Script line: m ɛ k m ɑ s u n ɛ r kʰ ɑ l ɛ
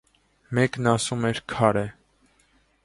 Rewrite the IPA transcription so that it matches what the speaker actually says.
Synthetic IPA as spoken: m ɛ k n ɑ s u m ɛ ɾ kʰ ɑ ɾ ɛ